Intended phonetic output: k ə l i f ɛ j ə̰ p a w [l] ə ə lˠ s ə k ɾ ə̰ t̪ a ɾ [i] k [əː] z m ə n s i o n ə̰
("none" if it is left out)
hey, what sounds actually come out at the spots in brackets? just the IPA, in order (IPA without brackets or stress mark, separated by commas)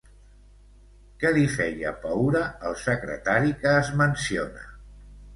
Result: ɾ, i, əː